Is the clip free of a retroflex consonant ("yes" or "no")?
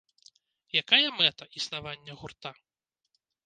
yes